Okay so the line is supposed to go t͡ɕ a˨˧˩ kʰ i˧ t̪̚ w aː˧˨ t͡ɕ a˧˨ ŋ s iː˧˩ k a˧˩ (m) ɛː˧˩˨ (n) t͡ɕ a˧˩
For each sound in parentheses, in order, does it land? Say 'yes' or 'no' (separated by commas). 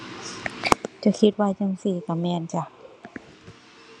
yes, yes